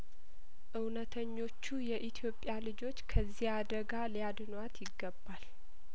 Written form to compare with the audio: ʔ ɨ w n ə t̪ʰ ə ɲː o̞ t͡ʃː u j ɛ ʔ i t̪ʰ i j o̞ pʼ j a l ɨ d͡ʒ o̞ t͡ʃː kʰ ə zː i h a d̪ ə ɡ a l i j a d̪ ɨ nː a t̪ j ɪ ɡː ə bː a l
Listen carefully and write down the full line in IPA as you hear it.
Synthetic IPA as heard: ʔ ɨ w n ə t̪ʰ ə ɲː o̞ t͡ʃː u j ɛ ʔ i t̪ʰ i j o̞ pʼ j a l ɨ d͡ʒ o̞ t͡ʃː kʰ ə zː i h a d̪ ə ɡ a l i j a d̪ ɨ n a t̪ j ɪ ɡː ə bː a l